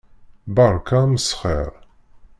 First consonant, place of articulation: labial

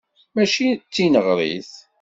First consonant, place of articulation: labial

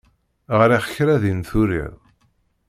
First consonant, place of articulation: uvular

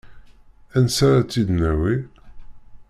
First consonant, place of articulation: alveolar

